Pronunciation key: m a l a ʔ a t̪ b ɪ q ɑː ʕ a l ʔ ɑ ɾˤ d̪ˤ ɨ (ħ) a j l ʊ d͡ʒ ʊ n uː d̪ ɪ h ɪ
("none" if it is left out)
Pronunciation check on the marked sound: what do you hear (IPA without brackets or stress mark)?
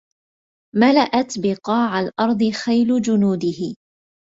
x